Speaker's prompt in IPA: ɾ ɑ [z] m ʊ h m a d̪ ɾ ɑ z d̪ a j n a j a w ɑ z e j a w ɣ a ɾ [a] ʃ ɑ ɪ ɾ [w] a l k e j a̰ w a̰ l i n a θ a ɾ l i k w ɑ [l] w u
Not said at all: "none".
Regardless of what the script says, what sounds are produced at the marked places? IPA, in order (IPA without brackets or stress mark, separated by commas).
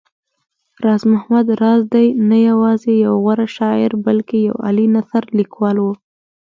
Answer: z, a, b, l